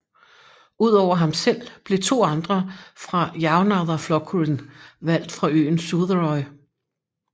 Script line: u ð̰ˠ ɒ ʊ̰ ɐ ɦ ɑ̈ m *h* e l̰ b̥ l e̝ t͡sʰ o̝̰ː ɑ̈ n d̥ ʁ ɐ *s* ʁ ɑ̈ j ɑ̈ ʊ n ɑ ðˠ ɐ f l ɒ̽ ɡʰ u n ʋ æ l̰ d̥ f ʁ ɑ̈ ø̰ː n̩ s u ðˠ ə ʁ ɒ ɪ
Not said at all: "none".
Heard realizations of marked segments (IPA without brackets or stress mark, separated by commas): s, f